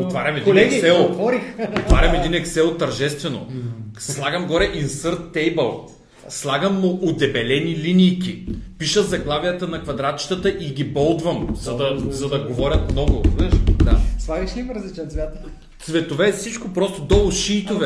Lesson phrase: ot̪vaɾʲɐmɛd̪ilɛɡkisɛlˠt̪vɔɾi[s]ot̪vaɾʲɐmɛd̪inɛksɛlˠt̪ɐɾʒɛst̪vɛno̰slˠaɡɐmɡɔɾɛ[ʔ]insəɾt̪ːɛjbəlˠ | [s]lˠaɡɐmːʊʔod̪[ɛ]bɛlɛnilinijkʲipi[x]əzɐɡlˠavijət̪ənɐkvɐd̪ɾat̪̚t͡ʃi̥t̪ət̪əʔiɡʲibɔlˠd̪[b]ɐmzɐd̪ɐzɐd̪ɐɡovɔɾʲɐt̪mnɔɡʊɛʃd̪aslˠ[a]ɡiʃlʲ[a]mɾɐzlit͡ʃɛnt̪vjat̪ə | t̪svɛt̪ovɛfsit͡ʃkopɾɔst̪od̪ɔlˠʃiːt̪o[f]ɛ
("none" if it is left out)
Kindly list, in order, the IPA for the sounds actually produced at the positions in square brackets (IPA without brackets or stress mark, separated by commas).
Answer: x, ʔ, s, ɛ, ʃ, v, a, i, v